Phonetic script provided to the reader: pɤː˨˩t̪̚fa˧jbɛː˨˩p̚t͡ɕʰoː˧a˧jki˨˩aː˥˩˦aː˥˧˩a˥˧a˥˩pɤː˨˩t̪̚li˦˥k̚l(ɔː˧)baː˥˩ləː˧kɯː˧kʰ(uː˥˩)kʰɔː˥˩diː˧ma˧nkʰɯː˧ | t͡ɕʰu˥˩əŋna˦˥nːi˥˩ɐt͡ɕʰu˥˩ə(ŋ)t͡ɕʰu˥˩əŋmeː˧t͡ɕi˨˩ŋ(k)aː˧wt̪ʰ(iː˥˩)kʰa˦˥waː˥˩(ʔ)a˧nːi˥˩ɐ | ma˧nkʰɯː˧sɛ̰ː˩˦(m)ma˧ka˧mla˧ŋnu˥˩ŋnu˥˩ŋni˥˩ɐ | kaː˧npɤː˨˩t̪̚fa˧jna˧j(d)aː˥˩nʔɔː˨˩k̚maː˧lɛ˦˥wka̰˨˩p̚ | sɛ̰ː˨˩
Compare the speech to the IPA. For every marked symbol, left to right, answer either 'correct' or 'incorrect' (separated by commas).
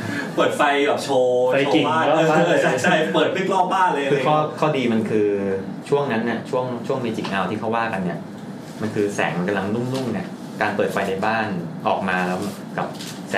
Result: incorrect, incorrect, correct, incorrect, correct, incorrect, incorrect, incorrect